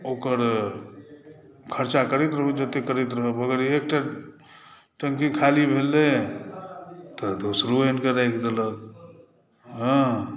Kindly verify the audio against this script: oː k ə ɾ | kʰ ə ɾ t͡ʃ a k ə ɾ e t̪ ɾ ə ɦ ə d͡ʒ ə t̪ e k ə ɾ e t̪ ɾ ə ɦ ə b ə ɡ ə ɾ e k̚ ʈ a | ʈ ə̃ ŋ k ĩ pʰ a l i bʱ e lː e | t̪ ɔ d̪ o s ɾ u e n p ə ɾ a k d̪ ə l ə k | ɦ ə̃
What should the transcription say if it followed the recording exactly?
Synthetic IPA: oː k ə ɾ | kʰ ə ɾ t͡ʃ a k ə ɾ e t̪ ɾ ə ɦ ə d͡ʒ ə t̪ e k ə ɾ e t̪ ɾ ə ɦ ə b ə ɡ ə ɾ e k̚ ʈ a | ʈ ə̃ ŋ k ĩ kʰ a l i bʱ e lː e | t̪ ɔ d̪ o s ɾ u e n k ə ɾ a k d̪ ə l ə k | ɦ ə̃